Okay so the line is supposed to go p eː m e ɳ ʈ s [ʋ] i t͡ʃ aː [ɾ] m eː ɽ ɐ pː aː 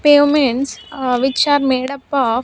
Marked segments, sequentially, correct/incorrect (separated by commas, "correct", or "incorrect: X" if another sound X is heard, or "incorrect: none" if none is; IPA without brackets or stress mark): correct, correct